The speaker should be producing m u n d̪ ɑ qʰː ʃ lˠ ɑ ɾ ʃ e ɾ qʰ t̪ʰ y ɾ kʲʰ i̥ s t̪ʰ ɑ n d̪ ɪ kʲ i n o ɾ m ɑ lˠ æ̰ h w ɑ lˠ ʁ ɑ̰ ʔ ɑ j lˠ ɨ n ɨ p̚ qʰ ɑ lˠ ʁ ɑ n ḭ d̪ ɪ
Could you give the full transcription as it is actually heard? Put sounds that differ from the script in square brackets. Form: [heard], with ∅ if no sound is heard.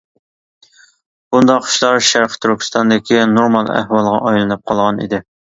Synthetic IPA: [b] u n d̪ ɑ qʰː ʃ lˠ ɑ ɾ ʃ [æ] ɾ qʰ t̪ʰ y ɾ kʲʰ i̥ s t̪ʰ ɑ n d̪ ɪ kʲ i n o ɾ m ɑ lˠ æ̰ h w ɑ lˠ ʁ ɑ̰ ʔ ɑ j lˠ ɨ n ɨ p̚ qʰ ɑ lˠ ʁ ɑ n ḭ d̪ ɪ